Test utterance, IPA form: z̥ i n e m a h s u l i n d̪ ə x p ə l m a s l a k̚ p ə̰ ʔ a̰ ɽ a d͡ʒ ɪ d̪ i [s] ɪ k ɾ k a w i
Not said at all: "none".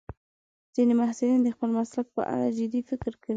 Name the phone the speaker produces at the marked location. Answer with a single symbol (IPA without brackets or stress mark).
f